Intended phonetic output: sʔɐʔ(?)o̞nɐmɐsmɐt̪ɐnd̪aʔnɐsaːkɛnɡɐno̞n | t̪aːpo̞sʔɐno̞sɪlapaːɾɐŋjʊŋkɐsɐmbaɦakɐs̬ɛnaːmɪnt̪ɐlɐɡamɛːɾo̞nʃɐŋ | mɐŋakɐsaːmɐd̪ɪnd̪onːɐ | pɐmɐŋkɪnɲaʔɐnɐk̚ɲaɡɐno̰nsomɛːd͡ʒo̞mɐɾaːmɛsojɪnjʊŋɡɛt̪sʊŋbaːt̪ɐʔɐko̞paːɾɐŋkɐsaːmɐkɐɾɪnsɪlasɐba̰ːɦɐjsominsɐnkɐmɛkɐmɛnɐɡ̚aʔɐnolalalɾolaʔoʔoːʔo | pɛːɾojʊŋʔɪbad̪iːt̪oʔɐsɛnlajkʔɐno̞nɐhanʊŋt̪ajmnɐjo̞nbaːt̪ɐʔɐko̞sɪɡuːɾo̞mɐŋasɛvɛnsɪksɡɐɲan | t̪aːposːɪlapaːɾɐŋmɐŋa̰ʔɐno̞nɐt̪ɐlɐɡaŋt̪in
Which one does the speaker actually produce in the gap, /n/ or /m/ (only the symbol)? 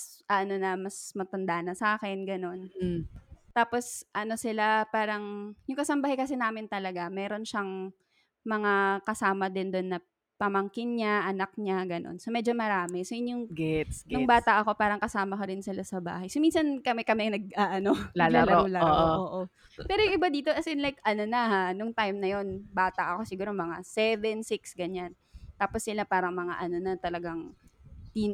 n